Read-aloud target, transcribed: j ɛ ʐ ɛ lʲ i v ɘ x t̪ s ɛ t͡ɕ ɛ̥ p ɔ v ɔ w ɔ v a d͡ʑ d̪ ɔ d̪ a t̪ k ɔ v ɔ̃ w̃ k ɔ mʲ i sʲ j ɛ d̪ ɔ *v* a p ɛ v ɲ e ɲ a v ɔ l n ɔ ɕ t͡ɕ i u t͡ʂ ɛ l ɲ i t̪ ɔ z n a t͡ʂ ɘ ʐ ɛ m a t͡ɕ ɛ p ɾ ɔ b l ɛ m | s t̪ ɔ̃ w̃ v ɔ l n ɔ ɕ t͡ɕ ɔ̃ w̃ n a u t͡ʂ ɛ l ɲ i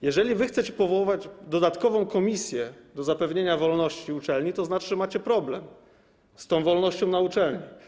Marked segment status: incorrect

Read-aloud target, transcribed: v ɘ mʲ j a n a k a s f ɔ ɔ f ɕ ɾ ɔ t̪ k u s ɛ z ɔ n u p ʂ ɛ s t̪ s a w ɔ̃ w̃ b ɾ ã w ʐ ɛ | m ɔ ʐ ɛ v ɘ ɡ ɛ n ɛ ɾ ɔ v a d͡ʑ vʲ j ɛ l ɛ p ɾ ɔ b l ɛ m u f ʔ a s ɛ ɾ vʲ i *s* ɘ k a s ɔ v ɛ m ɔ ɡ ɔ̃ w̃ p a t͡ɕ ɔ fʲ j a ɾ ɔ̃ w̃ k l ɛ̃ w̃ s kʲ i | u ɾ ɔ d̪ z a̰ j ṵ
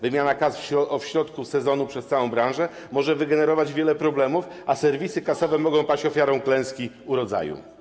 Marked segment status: correct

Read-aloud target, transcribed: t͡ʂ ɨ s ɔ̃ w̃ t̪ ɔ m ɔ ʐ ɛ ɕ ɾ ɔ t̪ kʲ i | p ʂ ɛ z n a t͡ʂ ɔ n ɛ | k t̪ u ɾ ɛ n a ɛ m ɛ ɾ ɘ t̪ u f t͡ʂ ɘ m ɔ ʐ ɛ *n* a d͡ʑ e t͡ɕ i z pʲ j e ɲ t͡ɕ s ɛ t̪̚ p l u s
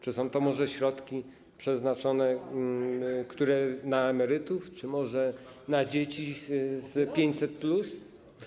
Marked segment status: correct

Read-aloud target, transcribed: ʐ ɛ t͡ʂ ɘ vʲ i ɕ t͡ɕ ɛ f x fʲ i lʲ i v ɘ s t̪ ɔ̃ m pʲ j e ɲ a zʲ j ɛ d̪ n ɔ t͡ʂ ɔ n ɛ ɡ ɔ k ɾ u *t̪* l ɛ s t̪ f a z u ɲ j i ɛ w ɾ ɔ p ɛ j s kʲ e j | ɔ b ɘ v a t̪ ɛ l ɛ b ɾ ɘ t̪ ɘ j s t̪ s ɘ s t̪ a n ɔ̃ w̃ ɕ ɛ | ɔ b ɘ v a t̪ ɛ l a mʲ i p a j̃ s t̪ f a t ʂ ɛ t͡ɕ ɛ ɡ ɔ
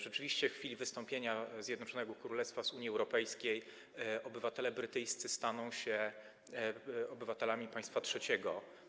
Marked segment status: incorrect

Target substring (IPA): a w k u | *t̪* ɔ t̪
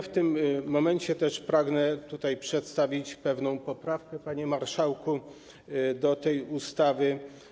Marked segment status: incorrect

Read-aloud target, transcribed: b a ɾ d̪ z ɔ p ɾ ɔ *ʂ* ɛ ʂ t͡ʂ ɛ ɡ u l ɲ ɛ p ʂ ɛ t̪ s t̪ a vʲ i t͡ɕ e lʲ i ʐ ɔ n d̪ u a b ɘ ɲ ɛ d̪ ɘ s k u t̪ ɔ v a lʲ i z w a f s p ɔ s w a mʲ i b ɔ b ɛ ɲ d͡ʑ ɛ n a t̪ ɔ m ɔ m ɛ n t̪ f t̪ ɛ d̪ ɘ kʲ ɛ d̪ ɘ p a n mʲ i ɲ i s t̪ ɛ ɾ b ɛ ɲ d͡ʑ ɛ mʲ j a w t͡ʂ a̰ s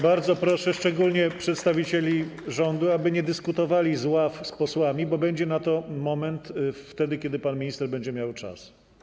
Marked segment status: correct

